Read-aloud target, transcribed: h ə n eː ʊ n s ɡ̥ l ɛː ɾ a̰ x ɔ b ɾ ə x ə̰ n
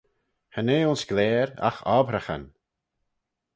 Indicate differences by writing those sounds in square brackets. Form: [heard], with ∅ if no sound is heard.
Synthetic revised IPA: h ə n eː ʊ n s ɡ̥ l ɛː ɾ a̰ x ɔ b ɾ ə x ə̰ n